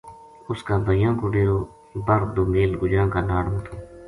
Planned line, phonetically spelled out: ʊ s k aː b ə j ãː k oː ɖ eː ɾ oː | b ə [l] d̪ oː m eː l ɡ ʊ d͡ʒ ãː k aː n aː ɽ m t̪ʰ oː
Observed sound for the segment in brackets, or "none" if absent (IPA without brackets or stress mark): ɾ